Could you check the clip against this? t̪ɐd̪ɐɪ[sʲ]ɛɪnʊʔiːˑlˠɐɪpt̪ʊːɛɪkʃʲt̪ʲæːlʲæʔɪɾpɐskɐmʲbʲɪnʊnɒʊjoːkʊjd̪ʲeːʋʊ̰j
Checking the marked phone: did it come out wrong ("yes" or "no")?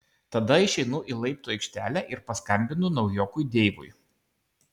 yes